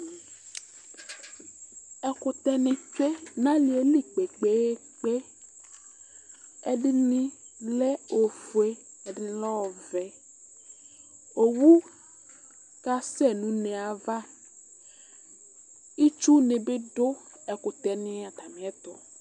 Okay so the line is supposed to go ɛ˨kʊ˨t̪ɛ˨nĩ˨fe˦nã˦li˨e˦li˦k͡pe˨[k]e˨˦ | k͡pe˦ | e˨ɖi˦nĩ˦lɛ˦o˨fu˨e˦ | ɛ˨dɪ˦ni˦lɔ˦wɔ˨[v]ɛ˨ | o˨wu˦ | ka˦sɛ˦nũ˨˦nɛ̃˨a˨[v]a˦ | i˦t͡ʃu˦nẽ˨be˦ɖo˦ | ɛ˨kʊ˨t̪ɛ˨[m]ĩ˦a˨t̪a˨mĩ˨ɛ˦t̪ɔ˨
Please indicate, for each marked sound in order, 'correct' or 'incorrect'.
incorrect, correct, correct, incorrect

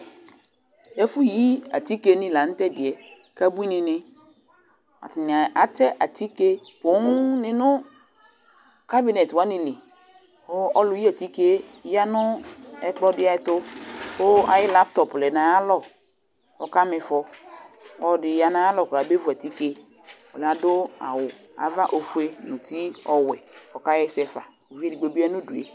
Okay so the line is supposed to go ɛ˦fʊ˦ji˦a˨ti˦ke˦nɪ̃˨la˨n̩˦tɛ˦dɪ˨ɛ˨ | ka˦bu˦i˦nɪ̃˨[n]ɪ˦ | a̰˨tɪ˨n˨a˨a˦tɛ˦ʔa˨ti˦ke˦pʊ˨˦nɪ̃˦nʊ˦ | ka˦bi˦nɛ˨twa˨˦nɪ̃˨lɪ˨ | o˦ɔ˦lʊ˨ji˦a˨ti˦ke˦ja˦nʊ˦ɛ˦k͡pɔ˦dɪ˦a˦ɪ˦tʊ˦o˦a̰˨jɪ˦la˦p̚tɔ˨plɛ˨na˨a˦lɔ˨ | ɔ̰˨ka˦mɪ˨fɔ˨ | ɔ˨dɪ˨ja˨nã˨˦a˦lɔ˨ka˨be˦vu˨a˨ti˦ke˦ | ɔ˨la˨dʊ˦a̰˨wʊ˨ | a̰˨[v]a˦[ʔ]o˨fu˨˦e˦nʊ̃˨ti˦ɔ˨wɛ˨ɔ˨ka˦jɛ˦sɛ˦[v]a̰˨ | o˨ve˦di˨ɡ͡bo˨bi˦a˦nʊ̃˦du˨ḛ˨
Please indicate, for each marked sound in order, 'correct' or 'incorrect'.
correct, correct, correct, incorrect

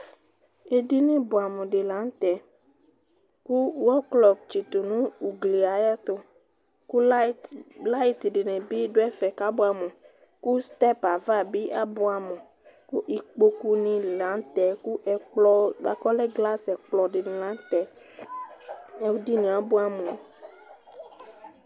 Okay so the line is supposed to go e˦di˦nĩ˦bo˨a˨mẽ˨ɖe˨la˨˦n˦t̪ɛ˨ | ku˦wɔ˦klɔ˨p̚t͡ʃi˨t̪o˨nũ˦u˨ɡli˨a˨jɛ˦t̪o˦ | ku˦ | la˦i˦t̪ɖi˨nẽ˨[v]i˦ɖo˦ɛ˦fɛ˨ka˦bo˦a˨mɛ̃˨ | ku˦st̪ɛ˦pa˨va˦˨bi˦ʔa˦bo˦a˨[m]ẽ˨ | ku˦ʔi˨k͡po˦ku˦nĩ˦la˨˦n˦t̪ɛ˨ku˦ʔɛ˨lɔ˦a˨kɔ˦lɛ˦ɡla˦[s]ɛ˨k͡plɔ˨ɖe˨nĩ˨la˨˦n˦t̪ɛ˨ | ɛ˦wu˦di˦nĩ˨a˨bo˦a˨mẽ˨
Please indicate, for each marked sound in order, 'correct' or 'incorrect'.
incorrect, correct, correct

